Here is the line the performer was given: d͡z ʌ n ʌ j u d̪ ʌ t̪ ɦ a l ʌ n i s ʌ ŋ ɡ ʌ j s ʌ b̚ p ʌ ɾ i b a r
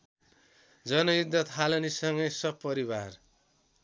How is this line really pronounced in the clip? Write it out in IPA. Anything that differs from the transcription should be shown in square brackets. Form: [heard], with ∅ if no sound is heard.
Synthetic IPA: d͡z ʌ n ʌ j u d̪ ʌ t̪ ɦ a l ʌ n i s ʌ ŋ ɡ ʌ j s ʌ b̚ p ʌ ɾ i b a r